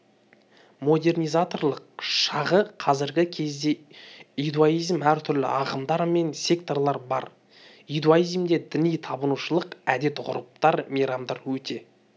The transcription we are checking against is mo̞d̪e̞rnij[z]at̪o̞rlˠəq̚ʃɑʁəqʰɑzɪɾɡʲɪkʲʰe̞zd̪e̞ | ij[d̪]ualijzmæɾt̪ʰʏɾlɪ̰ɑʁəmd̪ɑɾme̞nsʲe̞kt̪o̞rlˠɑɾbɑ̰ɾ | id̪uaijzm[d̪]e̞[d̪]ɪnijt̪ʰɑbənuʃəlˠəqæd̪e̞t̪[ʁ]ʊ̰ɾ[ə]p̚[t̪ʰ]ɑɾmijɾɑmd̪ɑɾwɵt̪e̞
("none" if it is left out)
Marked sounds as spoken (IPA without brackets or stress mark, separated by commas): z, d̪, d̪, d̪, ʁ, ə, t̪